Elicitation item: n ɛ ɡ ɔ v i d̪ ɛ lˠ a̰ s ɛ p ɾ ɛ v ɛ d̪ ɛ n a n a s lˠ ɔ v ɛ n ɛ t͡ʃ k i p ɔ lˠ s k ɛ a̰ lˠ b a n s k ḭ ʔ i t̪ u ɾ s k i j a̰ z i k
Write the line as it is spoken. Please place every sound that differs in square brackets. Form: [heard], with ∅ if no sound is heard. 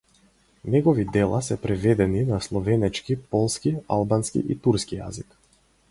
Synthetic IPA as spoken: n ɛ ɡ ɔ v i d̪ ɛ lˠ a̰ s ɛ p ɾ ɛ v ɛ d̪ ɛ n [i] n a s lˠ ɔ v ɛ n ɛ t͡ʃ k i p ɔ lˠ s k [i] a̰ lˠ b a n s k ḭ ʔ i t̪ u ɾ s k i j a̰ z i k